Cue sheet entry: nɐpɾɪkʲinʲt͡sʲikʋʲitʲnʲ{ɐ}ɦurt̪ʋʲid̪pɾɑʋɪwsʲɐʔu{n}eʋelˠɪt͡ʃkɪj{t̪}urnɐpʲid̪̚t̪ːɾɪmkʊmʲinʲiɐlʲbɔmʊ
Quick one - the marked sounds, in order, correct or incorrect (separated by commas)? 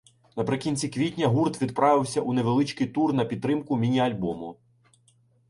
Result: correct, correct, correct